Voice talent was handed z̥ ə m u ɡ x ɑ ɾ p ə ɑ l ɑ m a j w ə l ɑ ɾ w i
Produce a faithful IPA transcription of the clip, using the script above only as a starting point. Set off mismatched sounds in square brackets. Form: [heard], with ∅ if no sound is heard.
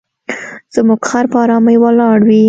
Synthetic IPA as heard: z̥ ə m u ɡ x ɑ ɾ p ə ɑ [ɾ] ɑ m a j w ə l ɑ [ɽ] w i

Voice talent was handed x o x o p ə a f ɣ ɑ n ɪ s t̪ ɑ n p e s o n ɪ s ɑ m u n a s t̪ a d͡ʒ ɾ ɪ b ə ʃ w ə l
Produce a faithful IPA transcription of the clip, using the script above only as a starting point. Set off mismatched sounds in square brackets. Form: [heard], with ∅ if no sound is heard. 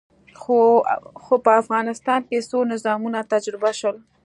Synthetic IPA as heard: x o x o p ə a f ɣ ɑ n ɪ s t̪ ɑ n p e s o n ɪ [z] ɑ m u n a [∅] t̪ a d͡ʒ ɾ ɪ b [a] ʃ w ə l

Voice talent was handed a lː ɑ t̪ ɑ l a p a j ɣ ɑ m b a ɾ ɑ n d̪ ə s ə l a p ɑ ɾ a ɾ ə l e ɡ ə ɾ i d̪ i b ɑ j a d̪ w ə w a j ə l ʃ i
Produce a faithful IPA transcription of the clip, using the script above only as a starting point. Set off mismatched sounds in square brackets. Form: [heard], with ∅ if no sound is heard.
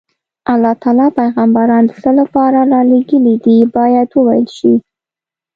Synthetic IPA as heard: a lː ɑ t̪ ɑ l [ɑ] p a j ɣ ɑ m b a ɾ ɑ n d̪ ə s ə l a p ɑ ɾ a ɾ [ɑ] l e ɡ ə [l] i d̪ i b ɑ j a d̪ w ə w a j ə l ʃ i

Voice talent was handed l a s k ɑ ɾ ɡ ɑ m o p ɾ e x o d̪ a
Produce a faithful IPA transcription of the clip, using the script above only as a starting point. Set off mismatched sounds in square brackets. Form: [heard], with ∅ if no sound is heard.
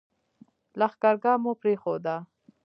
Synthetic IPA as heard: l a [x] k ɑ ɾ ɡ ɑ m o p ɾ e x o d̪ a

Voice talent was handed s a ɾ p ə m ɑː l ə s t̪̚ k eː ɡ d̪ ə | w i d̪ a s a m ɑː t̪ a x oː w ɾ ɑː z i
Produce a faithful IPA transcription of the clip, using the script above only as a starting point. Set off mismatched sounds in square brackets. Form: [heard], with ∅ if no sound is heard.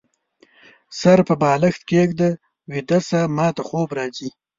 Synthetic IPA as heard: s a ɾ p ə [b] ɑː l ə [x] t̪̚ k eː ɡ d̪ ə | w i d̪ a s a m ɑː t̪ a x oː [b] ɾ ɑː z i

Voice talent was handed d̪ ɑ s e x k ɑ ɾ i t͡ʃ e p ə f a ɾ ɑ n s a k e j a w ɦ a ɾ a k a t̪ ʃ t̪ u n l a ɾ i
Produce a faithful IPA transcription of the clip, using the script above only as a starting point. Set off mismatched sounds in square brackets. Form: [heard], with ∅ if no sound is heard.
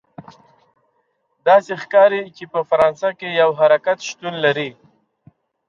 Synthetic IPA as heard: d̪ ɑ s e x k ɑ ɾ i t͡ʃ e p ə f a ɾ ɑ n s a k e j a w ɦ a ɾ a k a t̪ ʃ t̪ u n l a ɾ i

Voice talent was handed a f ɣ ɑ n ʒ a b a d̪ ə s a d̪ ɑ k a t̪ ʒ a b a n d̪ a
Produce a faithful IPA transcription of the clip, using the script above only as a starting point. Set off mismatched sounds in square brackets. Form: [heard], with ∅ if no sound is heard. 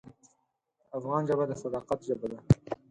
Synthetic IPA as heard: a f ɣ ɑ n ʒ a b a d̪ ə s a d̪ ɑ [q] a t̪ ʒ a b a [∅] d̪ a

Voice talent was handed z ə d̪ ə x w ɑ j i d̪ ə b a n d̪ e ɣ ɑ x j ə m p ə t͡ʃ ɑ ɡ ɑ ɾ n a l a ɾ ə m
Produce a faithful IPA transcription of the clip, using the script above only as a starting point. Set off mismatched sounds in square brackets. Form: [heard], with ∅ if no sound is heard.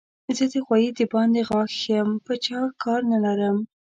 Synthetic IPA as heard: z ə d̪ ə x w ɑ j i d̪ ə b [ɑ] n d̪ e ɣ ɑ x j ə m p ə t͡ʃ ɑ [k] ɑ ɾ n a l a ɾ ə m

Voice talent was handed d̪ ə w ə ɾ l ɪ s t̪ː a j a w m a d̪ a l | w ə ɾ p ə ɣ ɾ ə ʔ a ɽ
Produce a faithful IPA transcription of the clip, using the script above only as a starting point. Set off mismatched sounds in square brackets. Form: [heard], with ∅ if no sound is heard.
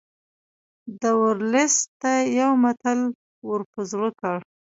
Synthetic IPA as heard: d̪ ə w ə ɾ l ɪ s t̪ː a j a w m a [t̪] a l | w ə ɾ p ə [z] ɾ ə [k] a ɽ

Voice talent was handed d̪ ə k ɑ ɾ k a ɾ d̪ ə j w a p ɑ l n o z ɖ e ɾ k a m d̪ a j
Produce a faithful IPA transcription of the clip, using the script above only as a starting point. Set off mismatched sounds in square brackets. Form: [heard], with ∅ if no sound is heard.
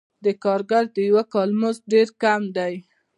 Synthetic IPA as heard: d̪ ə k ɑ ɾ [ɡ] a ɾ d̪ ə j w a [k] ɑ l [m] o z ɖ e ɾ k a m d̪ a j

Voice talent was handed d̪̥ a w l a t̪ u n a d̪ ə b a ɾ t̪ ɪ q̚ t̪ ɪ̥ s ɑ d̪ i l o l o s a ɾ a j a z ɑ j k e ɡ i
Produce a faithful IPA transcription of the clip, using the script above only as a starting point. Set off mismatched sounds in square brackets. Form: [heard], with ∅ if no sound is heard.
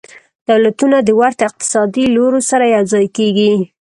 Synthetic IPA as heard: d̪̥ a w l a t̪ u n a d̪ ə [w] a ɾ t̪ ɪ q̚ t̪ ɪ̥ s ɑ d̪ i l o [ɾ] o s a ɾ a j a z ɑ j k e ɡ i

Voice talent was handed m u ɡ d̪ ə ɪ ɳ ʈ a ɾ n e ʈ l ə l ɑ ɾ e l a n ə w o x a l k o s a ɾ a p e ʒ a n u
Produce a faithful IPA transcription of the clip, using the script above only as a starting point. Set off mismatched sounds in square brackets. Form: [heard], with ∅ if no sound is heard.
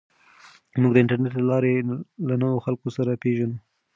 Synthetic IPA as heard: m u ɡ d̪ ə ɪ ɳ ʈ a ɾ n e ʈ l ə l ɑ ɾ e l a n ə w o x a l k o s a ɾ a p e ʒ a n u

